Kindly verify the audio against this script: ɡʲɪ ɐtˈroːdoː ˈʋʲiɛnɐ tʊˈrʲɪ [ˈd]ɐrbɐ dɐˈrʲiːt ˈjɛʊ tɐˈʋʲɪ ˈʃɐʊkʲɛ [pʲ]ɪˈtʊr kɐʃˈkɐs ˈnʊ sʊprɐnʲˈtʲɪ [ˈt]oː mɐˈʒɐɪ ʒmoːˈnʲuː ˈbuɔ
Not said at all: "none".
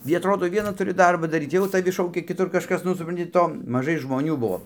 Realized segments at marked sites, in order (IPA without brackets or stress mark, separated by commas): d, kʲ, t